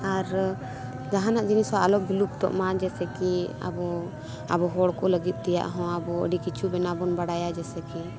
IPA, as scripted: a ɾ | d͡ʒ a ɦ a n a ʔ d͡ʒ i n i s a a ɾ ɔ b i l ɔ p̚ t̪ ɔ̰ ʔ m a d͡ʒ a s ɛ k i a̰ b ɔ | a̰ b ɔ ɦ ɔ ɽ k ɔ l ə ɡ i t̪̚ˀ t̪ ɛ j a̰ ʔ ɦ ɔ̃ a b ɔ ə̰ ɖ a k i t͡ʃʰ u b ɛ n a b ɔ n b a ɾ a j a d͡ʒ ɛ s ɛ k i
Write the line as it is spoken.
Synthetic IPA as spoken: a ɾ | d͡ʒ a ɦ a n a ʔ d͡ʒ i n i s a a l ɔ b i l u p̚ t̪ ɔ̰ ʔ m a d͡ʒ ɛ s ɛ k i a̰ b ɔ | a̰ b ɔ ɦ ɔ ɽ k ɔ l ə ɡ i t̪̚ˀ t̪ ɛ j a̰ ʔ ɦ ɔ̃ a b ɔ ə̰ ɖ i k i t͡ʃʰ u b ɛ n a b ɔ n b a ɽ a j a d͡ʒ ɛ s ɛ k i